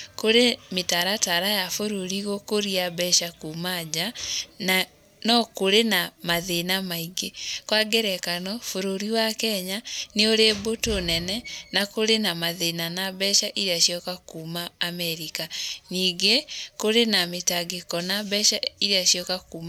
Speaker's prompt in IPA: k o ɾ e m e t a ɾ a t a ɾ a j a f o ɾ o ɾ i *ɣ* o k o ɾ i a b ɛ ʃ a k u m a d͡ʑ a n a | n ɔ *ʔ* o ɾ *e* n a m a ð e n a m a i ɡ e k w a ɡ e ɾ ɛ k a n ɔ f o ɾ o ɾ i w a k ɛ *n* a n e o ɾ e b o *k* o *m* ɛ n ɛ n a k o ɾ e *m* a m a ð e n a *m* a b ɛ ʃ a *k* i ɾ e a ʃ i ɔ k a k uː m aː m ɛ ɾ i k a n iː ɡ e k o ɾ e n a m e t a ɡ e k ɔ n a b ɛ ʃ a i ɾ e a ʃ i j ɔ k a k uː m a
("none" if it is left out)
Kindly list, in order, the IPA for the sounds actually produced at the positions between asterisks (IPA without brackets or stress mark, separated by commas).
ɣ, k, e, ɲ, t, n, n, n, ʔ